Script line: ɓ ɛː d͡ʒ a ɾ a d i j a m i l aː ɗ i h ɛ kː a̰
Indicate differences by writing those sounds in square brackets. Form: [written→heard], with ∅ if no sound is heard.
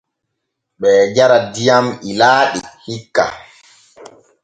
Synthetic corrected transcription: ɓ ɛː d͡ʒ a ɾ a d i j a m i l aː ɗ i h [ɛ→i] kː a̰

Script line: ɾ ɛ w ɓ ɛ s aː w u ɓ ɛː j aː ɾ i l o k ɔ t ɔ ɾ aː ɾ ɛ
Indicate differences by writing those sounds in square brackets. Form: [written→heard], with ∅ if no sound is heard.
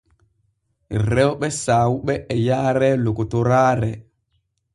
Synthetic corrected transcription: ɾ ɛ w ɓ ɛ s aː w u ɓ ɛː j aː ɾ [i→ɛ] l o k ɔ t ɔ ɾ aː ɾ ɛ

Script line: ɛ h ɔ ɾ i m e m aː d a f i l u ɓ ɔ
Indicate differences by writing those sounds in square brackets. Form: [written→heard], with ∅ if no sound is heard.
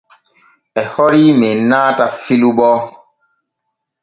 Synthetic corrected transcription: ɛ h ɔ ɾ i m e [m→n] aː [d→t] a f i l u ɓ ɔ

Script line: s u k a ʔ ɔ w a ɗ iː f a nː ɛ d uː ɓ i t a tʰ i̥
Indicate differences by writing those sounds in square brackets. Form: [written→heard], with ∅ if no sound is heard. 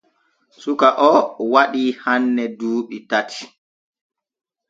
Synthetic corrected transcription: s u k a ʔ ɔ w a ɗ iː [f→h] a nː ɛ d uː ɓ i t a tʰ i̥

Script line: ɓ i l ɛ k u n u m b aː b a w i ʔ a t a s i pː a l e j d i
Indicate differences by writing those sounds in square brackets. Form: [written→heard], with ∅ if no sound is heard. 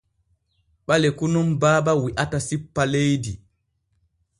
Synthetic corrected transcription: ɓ [i→a] l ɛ k u n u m b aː b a w i ʔ a t a s i pː a l e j d i

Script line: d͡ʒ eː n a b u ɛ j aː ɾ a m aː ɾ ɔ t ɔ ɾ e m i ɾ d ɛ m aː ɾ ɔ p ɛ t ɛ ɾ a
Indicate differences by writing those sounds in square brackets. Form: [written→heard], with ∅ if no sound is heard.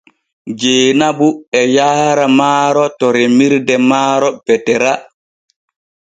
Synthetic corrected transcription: d͡ʒ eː n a b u ɛ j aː ɾ a m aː ɾ ɔ t ɔ ɾ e m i ɾ d ɛ m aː ɾ ɔ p ɛ t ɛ ɾ a

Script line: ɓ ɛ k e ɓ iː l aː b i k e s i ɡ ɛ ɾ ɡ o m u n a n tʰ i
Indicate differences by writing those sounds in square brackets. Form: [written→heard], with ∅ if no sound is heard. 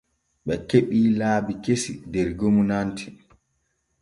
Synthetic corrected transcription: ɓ ɛ k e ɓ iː l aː b i k e s i [ɡ→d] ɛ ɾ ɡ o m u n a n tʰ i

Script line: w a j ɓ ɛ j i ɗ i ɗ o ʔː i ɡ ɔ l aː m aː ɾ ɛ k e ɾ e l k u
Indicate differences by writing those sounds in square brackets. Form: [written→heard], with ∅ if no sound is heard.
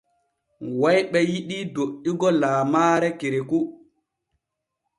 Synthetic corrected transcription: w a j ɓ ɛ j i ɗ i [ɗ→d] o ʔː i ɡ ɔ l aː m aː ɾ ɛ k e ɾ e [l→∅] k u

